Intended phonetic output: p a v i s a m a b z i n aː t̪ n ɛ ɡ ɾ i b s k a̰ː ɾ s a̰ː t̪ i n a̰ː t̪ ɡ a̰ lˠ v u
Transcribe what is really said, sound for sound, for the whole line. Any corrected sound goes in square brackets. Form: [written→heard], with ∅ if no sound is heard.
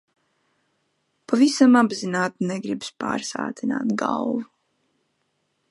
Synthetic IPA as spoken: p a v i s a m a b z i n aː t̪ n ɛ ɡ ɾ i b s [k→p] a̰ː ɾ s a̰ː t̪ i n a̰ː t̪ ɡ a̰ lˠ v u